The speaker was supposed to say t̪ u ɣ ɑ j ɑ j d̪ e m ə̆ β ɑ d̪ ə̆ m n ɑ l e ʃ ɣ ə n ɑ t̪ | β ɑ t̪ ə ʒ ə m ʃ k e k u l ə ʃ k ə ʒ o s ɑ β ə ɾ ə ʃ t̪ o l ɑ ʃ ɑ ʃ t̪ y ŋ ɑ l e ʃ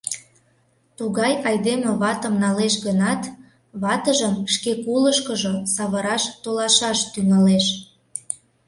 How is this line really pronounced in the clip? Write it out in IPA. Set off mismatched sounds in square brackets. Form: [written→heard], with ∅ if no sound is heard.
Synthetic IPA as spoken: t̪ u ɣ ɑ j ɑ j d̪ e m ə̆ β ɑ [d̪→t̪] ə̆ m n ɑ l e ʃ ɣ ə n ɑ t̪ | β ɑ t̪ ə ʒ ə m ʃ k e k u l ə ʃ k ə ʒ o s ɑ β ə ɾ [ə→ɑ] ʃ t̪ o l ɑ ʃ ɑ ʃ t̪ y ŋ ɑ l e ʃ